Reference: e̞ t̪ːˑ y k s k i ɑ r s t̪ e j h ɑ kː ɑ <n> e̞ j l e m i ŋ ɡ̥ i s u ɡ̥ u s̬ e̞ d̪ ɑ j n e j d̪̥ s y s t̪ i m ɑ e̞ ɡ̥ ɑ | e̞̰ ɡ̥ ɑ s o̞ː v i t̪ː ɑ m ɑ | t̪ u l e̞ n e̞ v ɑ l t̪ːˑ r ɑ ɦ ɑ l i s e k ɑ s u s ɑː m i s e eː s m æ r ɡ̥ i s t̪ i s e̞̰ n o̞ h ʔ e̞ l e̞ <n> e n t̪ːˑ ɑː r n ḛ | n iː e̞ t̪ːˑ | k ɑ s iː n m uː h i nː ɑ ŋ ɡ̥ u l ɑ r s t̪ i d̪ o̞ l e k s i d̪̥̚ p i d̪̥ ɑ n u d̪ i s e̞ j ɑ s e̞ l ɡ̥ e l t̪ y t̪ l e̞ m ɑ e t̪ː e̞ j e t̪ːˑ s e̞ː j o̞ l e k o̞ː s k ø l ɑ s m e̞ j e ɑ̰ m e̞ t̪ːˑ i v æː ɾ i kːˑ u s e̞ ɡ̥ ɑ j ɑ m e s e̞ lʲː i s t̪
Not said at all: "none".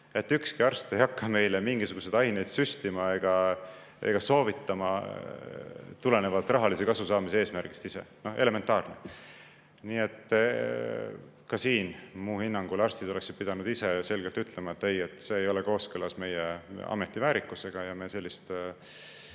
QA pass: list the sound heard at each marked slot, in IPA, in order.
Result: m, m

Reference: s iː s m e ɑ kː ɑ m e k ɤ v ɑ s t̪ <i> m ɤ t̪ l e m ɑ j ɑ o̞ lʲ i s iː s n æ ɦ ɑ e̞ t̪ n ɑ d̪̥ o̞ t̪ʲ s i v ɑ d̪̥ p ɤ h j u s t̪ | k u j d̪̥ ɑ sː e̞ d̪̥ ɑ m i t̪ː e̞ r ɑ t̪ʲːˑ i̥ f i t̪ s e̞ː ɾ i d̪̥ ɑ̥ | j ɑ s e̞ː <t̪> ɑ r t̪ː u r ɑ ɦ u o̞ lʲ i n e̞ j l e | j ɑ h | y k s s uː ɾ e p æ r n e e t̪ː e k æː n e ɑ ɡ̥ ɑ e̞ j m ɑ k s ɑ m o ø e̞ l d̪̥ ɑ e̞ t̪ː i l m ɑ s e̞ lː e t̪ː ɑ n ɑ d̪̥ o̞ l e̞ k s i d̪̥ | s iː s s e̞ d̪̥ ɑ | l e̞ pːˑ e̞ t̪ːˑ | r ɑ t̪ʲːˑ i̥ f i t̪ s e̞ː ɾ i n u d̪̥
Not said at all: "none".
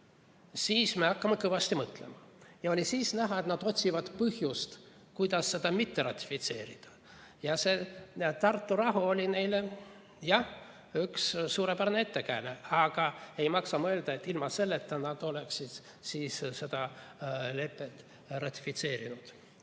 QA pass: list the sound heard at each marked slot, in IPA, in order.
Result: i, t̪

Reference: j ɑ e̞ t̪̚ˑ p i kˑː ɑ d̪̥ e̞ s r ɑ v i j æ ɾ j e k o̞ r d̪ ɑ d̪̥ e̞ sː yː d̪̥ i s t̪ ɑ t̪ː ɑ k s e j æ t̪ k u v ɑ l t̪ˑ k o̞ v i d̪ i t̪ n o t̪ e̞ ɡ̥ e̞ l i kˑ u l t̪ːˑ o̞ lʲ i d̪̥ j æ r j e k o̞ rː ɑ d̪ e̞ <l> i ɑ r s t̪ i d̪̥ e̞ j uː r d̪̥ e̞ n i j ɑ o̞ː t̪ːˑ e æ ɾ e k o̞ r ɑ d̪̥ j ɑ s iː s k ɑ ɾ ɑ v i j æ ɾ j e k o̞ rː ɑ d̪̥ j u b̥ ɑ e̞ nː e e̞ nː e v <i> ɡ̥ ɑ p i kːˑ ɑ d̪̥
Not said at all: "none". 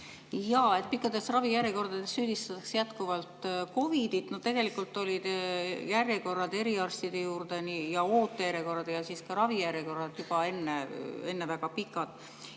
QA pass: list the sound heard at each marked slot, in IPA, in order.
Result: ɾ, æ

